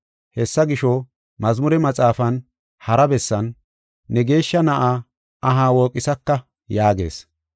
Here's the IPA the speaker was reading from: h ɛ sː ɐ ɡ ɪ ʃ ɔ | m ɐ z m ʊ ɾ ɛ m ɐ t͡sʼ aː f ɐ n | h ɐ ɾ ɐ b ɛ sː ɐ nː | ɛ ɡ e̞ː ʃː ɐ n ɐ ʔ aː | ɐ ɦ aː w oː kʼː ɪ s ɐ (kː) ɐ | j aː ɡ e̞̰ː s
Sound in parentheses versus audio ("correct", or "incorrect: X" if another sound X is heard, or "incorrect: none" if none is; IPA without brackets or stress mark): correct